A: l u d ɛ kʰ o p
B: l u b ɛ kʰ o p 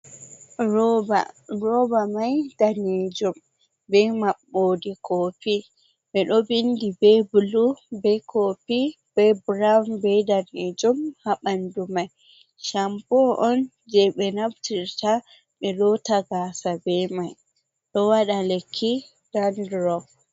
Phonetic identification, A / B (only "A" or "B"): B